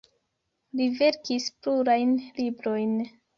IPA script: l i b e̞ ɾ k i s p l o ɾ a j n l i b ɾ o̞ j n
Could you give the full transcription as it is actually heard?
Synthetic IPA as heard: l i v e̞ ɾ k i s p l u ɾ a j n l i b ɾ o̞ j n